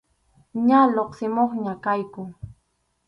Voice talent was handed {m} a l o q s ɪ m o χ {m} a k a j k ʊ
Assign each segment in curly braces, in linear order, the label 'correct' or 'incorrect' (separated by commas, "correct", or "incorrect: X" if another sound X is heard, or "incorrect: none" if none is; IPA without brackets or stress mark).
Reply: incorrect: ɲ, incorrect: ɲ